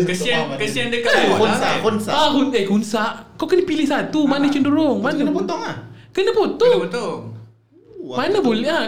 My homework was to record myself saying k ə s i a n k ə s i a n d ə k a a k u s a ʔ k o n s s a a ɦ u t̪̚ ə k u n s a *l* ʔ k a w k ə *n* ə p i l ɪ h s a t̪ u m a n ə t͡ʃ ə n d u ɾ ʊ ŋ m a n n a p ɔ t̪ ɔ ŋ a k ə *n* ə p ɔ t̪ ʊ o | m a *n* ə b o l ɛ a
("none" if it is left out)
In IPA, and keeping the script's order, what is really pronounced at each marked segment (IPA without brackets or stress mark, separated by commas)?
none, n, n, n